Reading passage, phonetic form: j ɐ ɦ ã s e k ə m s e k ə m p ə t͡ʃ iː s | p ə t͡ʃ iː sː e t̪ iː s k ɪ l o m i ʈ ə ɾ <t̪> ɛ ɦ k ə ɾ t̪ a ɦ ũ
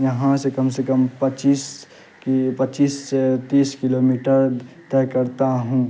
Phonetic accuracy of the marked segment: correct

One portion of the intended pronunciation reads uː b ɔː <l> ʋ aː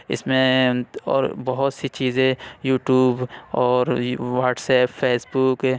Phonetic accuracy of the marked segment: incorrect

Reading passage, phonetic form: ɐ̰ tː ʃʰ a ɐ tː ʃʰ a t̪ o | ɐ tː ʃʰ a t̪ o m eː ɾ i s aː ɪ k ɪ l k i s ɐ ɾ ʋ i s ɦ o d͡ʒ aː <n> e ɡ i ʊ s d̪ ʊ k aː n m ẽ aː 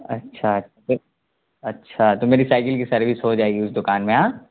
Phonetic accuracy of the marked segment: incorrect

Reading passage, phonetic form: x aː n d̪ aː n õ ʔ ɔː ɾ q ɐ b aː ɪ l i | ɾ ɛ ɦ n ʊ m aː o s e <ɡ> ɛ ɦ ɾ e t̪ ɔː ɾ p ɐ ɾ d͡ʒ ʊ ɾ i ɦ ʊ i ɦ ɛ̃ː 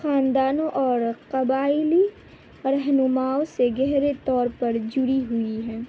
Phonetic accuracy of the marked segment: correct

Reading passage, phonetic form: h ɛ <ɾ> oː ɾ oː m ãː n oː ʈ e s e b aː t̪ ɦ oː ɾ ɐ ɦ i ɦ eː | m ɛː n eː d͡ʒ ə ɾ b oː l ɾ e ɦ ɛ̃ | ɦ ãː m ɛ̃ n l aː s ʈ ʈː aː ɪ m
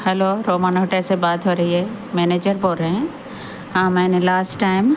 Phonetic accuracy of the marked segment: incorrect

